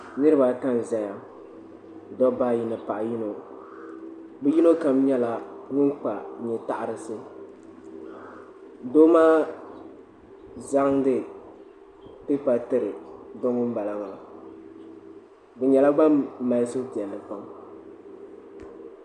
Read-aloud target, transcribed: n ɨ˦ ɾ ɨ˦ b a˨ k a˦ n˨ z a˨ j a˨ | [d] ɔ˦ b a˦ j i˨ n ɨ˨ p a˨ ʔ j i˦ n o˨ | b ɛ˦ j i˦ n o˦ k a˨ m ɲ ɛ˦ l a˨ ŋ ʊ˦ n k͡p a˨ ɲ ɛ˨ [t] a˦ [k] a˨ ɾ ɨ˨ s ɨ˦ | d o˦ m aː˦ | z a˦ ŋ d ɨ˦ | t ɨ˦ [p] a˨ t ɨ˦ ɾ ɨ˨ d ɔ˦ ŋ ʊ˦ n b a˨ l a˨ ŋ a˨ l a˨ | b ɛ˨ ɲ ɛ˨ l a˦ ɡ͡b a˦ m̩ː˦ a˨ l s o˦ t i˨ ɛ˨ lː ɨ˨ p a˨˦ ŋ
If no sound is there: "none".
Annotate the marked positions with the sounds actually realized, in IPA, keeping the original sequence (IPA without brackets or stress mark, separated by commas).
d, t, ʔ, p